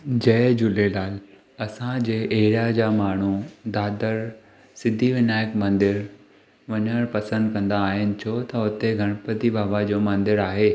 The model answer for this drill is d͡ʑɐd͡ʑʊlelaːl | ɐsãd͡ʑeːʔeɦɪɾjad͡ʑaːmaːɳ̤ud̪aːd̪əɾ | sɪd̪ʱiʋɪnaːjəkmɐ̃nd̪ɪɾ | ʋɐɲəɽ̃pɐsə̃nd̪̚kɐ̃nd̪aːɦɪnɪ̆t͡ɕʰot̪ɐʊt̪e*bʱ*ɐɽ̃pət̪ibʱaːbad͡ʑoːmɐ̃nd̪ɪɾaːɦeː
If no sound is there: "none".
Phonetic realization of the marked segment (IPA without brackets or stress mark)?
ɡʱ